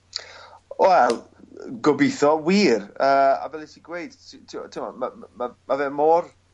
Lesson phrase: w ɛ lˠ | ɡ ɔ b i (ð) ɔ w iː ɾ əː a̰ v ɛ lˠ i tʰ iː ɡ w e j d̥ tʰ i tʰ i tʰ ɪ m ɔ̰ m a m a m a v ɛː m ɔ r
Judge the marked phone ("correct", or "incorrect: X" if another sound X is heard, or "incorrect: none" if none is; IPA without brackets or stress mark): incorrect: θ